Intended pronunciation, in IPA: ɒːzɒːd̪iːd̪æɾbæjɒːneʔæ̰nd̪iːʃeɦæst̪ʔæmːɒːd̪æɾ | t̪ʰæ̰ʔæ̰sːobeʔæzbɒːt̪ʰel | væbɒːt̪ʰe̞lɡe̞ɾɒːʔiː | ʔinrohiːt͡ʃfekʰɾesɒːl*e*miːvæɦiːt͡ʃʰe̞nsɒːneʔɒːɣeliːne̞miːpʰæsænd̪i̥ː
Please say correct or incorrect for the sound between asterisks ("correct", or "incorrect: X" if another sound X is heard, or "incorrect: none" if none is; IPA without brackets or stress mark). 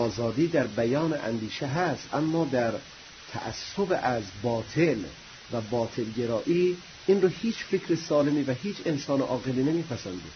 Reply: correct